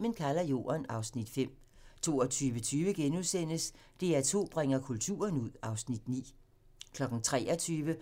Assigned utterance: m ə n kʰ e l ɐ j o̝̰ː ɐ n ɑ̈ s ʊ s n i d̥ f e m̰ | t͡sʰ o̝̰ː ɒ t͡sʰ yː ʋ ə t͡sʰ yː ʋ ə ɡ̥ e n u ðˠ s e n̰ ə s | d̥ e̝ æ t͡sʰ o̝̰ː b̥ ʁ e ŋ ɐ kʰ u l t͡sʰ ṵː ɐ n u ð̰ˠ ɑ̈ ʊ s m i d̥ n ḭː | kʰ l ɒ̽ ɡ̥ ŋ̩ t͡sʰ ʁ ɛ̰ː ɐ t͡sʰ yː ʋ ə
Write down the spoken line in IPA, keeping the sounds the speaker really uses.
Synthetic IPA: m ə n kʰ æ l ɐ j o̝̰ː ɐ n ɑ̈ ʊ s n i d̥ f e m̰ | t͡sʰ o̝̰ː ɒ t͡sʰ yː ʋ ə t͡sʰ yː ʋ ə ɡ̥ e n u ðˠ s e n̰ ə s | d̥ e̝ æ t͡sʰ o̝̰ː b̥ ʁ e ŋ ɐ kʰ u l t͡sʰ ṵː ɐ n u ð̰ˠ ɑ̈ ʊ s n i d̥ n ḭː | kʰ l ɒ̽ ɡ̥ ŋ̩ t͡sʰ ʁ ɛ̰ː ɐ t͡sʰ yː ʋ ə